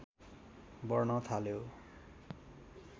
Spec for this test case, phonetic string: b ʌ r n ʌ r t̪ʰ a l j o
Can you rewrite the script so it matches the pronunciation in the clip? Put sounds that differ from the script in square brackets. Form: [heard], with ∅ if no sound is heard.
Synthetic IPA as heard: b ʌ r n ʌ [∅] t̪ʰ a l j o